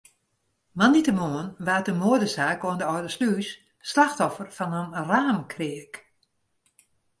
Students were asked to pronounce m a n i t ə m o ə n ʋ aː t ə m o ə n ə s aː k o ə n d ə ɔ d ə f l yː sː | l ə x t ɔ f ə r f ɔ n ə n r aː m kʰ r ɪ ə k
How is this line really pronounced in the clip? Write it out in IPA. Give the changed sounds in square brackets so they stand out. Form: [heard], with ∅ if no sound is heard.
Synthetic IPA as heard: m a n i t ə m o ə n ʋ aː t ə m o ə [d] ə s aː k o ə n d ə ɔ d ə [s] l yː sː | l [a] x t ɔ f ə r f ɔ n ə n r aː m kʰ r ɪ ə k